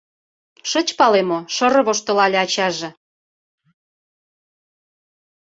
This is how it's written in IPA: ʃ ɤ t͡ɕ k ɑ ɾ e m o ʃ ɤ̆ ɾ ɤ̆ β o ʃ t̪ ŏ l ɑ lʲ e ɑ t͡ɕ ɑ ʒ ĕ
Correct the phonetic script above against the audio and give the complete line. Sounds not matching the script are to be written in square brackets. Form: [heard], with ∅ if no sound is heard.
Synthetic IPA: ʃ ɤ t͡ɕ [p] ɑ [l] e m o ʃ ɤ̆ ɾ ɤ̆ β o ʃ t̪ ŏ l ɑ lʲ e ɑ t͡ɕ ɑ ʒ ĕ